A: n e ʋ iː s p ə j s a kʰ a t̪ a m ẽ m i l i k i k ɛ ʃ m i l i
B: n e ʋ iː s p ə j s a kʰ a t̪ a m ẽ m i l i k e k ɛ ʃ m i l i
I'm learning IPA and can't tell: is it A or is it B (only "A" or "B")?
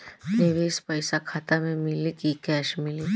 A